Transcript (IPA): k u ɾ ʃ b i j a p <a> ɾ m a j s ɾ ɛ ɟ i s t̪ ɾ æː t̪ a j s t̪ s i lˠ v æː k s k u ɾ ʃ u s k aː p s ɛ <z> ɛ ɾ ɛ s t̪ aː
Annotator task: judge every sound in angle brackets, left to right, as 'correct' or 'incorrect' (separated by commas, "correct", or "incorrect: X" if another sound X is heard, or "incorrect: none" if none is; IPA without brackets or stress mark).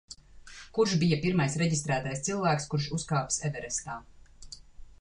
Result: incorrect: i, incorrect: v